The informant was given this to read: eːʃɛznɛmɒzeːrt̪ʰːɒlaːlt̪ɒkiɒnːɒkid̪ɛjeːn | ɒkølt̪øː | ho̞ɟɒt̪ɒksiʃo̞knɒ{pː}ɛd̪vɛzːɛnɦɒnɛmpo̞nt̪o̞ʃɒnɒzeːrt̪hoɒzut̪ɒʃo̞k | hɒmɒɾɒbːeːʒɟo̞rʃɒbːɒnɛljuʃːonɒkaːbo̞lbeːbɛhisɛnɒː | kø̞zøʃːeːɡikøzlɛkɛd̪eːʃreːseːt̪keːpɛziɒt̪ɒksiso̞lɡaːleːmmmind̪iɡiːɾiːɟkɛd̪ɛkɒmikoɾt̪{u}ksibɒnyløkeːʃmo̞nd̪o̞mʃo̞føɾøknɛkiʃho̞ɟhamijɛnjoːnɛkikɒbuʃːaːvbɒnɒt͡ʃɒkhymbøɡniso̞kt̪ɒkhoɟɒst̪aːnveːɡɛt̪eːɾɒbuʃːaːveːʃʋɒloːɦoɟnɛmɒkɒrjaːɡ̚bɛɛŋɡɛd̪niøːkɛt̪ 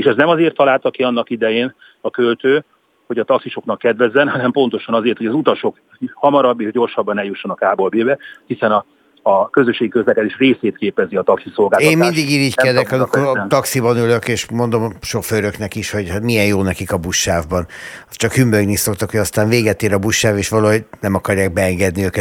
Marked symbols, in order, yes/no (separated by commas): no, no